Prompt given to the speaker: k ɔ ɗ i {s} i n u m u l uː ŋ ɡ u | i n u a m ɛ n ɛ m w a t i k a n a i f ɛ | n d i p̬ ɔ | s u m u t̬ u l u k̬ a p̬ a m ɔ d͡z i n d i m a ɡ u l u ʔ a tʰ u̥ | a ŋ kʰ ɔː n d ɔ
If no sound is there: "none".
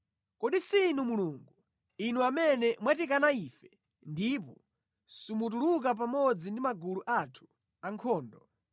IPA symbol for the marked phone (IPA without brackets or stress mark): s